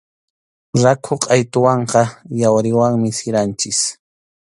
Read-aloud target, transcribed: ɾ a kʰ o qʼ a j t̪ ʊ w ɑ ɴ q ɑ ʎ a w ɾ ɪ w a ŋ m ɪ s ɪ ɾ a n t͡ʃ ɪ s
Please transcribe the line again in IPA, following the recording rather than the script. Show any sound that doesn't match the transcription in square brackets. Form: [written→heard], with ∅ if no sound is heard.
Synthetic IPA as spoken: ɾ a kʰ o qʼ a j t̪ ʊ w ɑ ɴ q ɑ [ʎ→j] a w ɾ ɪ w a ŋ m ɪ s ɪ ɾ a n t͡ʃ ɪ s